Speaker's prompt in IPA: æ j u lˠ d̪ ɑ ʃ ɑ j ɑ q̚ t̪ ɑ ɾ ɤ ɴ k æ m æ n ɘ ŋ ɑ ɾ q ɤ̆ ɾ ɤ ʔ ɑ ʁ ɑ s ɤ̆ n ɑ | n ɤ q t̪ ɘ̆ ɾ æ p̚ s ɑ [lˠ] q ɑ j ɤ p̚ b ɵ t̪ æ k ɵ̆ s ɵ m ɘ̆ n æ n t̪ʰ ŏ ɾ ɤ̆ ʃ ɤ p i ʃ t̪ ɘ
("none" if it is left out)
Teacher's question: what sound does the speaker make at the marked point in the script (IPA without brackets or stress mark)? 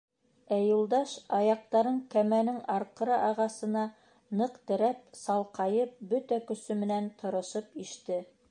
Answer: lˠ